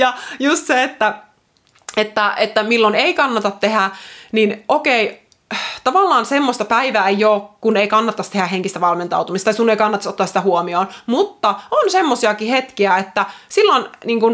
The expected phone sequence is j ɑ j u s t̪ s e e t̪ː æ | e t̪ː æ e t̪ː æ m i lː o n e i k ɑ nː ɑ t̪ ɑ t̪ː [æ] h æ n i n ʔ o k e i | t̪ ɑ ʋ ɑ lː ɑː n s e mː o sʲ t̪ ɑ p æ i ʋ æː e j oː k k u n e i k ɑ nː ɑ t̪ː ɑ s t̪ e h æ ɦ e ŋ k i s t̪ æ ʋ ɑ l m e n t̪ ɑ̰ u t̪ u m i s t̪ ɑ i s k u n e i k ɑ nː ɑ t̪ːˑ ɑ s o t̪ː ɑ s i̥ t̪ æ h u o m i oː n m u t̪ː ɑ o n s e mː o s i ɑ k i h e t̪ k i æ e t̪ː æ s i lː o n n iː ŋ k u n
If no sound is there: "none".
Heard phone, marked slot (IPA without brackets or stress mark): e